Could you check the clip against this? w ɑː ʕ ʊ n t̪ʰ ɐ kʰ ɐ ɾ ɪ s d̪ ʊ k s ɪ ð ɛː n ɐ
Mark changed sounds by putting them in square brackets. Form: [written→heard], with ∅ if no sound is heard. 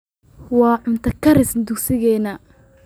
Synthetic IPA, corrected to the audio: w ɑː ʕ ʊ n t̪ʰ ɐ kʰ ɐ ɾ ɪ s d̪ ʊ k s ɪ [ð→ɣ] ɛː n ɐ